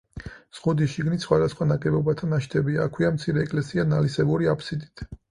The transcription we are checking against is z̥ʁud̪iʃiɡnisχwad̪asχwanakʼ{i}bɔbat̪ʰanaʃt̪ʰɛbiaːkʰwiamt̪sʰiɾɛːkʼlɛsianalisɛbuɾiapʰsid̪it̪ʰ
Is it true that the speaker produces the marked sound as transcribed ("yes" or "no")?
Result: no